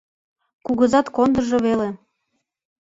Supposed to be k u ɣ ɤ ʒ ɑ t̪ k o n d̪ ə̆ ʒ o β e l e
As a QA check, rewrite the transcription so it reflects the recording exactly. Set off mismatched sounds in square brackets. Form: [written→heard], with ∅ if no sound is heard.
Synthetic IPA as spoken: k u ɣ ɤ [ʒ→z] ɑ t̪ k o n d̪ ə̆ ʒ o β e l e